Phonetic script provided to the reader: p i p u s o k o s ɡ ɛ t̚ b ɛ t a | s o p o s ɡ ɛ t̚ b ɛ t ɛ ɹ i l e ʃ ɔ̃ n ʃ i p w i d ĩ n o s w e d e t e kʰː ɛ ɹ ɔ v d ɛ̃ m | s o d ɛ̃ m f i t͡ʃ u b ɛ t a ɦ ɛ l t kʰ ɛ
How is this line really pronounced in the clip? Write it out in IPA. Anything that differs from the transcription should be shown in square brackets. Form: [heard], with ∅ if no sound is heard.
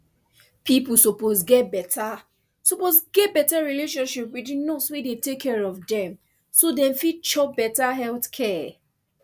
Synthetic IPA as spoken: p i p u s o [p] o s ɡ ɛ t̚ b ɛ t a | s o p o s ɡ ɛ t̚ b ɛ t [a] ɹ i l e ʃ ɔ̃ n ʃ i p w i d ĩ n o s w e d e t e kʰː ɛ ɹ ɔ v d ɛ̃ m | s o d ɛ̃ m f i t͡ʃ [ɔ] b ɛ t a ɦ ɛ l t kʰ ɛ